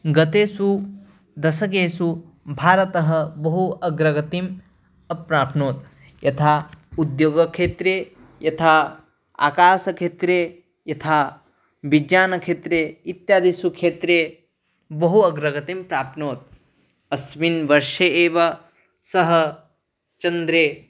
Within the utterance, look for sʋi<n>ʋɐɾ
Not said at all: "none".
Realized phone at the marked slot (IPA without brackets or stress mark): n